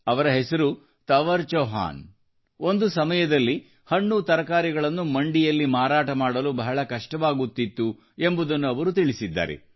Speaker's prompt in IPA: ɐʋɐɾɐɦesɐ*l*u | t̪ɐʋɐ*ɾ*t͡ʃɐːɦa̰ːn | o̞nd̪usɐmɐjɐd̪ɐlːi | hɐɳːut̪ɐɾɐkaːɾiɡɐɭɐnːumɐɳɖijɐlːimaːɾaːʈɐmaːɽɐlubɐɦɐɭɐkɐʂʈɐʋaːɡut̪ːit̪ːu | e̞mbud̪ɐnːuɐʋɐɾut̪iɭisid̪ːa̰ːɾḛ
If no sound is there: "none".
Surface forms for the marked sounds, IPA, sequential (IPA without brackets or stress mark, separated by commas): ɾ, ɾ